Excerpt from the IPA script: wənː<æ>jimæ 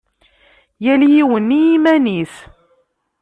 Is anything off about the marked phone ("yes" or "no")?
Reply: yes